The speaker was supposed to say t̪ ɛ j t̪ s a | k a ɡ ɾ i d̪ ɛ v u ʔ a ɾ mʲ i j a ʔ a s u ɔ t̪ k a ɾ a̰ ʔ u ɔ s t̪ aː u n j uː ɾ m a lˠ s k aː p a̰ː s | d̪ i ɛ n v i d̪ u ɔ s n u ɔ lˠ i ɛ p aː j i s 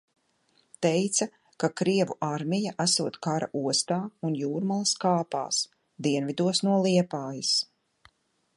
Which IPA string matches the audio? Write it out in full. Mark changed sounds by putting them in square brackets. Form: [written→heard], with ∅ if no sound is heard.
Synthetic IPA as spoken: t̪ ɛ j t̪ s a | k a [ɡ→k] ɾ i [d̪→∅] ɛ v u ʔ a ɾ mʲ i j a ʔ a s u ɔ t̪ k a ɾ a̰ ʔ u ɔ s t̪ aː u n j uː ɾ m a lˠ s k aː p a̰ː s | d̪ i ɛ n v i d̪ u ɔ s n u ɔ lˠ i ɛ p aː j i s